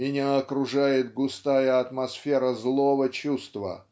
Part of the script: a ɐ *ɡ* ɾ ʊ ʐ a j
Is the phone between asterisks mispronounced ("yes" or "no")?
yes